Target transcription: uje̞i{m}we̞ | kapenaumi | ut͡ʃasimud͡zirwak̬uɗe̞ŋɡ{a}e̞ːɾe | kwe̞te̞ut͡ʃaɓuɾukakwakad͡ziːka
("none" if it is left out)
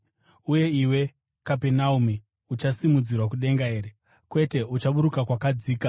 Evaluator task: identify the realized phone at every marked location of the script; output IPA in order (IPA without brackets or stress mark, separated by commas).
none, a